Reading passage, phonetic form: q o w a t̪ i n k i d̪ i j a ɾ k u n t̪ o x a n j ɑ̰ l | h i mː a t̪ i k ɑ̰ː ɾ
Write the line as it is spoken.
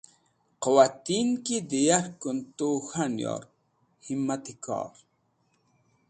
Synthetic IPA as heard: q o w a t̪ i n k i d̪ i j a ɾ k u n t̪ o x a n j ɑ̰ ɾ | h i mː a t̪ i k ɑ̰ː ɾ